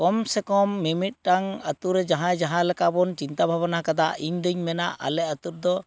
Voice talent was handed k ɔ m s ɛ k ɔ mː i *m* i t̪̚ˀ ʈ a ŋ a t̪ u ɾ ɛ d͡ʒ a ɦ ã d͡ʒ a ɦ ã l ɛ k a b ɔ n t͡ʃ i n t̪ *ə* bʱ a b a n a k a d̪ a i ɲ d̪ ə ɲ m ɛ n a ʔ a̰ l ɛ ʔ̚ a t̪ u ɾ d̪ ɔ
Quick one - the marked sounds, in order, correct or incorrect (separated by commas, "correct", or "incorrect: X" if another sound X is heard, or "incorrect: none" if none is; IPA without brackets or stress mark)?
correct, incorrect: a